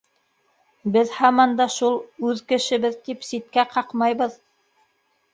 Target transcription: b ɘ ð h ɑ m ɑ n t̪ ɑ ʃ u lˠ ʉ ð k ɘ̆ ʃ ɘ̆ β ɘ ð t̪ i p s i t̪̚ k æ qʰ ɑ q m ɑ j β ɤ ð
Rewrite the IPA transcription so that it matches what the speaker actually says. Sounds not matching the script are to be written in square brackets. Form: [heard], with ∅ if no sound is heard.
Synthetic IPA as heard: b ɘ ð h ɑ m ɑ n [d̪] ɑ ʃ u lˠ ʉ ð k ɘ̆ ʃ ɘ̆ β ɘ ð t̪ i p s i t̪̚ k æ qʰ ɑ q m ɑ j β ɤ ð